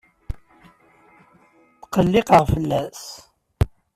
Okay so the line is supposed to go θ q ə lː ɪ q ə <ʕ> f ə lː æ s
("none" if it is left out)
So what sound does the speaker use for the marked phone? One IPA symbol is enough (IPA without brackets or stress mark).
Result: ʁ